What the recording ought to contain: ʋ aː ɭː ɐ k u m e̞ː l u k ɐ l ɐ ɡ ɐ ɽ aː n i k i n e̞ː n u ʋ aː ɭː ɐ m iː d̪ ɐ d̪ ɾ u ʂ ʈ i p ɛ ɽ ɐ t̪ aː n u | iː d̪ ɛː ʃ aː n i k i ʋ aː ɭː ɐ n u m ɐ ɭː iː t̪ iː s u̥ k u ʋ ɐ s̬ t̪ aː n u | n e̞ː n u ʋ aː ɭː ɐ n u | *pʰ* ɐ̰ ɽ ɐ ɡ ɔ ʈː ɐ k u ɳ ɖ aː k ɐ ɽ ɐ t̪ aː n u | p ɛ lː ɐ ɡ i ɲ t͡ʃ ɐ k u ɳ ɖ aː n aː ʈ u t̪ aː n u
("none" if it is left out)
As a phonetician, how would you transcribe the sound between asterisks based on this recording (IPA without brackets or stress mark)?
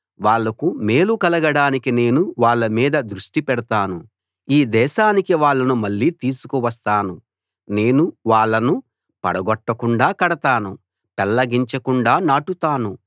p